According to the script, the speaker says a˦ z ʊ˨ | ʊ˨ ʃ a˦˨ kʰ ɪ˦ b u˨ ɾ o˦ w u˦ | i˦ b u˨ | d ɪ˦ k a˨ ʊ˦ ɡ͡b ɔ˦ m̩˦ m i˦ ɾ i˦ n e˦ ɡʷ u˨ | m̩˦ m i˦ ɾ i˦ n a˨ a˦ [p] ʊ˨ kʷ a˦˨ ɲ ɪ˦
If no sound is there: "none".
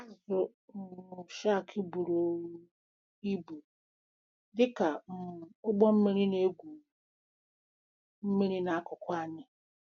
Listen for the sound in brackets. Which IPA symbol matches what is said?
k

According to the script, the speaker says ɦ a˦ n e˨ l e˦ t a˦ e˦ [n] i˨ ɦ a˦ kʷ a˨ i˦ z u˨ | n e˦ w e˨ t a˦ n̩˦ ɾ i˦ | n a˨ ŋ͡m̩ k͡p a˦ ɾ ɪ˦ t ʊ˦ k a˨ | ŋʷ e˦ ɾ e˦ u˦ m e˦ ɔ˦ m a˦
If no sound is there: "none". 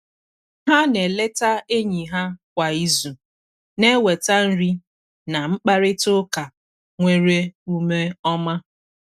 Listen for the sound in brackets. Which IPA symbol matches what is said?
ɲ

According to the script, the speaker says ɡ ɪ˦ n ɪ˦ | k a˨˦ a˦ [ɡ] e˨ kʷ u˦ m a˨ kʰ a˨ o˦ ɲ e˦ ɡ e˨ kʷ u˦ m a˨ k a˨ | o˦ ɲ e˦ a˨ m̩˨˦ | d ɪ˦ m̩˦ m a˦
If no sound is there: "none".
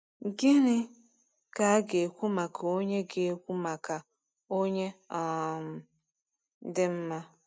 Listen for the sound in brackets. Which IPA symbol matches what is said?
ɡ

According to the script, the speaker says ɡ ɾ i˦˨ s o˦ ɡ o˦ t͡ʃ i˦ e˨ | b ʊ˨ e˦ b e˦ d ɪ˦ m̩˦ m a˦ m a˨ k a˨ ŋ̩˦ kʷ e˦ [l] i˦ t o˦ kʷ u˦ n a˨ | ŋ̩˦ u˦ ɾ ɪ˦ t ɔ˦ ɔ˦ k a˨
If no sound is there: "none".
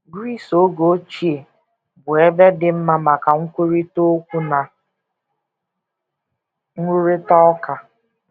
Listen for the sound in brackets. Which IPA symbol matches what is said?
ɾ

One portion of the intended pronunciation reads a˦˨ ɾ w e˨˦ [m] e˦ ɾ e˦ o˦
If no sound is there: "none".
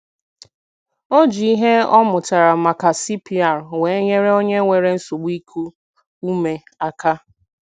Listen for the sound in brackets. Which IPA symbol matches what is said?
ɲ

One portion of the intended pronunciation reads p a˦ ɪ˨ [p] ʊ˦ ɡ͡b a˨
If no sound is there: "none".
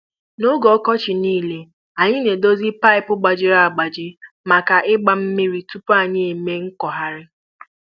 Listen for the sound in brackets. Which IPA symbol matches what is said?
p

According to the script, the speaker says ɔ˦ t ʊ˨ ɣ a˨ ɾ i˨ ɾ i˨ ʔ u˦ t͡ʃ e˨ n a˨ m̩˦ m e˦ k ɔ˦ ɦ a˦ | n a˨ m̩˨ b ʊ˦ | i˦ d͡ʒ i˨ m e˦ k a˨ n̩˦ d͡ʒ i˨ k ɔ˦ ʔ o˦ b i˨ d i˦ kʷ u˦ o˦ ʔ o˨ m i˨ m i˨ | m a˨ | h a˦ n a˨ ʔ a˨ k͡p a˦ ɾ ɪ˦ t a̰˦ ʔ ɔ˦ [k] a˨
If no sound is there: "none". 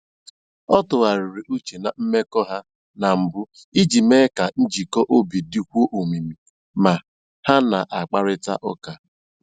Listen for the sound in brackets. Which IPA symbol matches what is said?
k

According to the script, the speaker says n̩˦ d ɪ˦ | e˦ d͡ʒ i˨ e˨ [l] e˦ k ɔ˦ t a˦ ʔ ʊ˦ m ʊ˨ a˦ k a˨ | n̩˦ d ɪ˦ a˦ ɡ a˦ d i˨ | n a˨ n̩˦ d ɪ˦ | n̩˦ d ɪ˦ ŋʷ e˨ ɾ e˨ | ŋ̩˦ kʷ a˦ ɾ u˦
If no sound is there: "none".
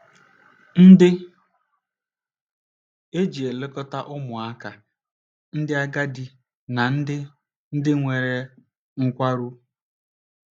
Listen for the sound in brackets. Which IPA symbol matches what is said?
l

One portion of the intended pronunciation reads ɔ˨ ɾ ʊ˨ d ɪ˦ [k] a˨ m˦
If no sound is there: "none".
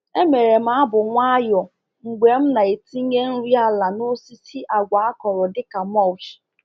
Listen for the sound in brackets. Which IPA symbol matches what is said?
k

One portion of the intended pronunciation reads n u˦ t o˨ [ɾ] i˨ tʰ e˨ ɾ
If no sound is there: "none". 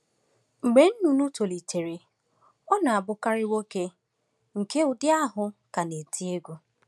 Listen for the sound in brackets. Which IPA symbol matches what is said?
l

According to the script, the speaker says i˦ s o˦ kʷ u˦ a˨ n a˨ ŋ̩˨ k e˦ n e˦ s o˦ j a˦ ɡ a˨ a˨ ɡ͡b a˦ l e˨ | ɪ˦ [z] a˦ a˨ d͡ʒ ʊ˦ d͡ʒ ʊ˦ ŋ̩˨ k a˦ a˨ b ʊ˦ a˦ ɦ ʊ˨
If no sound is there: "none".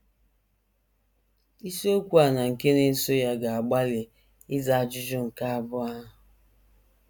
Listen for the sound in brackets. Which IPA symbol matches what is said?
z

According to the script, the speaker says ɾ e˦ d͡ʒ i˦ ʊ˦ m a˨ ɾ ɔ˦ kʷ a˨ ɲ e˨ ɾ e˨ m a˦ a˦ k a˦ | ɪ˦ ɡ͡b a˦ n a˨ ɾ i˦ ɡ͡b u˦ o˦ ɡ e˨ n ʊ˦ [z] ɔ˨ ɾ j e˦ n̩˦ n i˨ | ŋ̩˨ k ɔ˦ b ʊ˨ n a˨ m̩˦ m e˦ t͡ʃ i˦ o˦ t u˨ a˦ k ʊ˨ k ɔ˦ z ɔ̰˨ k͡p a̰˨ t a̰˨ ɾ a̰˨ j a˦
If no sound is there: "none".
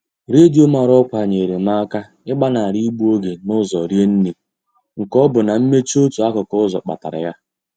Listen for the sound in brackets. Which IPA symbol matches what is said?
z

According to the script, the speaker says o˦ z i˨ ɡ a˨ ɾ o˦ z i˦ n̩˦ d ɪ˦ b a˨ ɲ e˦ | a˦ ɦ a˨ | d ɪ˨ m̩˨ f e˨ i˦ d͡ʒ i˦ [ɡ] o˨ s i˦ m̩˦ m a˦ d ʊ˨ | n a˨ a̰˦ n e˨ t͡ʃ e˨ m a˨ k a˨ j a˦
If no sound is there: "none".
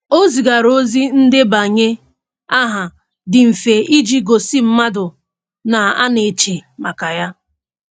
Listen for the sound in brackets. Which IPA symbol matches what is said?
ɡ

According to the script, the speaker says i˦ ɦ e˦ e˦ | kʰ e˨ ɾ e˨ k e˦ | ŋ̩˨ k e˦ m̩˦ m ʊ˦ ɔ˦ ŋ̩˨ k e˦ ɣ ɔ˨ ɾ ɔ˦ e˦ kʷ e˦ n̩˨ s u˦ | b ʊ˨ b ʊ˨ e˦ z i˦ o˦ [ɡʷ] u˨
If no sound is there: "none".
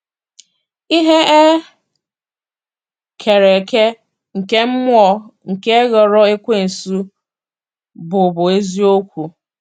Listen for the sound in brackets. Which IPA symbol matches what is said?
kʷ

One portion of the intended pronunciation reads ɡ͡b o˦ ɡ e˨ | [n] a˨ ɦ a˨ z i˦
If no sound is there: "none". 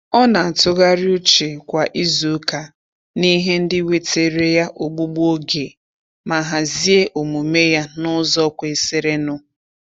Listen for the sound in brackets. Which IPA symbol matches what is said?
m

